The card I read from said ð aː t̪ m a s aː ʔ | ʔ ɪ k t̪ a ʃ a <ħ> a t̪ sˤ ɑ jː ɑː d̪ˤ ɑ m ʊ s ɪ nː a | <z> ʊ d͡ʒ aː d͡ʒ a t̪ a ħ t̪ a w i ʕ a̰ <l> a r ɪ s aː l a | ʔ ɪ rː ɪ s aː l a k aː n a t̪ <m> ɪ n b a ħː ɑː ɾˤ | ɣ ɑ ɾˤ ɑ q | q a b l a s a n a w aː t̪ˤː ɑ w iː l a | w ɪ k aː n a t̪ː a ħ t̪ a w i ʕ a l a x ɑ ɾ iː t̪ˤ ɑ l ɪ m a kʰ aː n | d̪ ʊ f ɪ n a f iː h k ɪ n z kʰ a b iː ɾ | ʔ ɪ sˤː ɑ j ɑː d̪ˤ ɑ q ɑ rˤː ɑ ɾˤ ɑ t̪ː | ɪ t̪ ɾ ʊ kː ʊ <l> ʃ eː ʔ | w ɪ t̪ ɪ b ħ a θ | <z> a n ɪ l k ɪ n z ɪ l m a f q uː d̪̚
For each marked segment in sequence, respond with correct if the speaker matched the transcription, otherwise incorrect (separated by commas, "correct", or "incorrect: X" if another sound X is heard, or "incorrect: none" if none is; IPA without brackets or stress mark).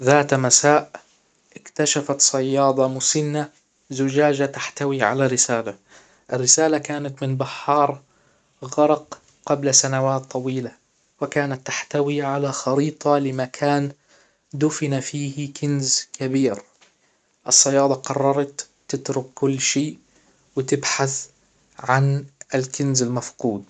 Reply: incorrect: f, correct, correct, correct, incorrect: lː, incorrect: ʕ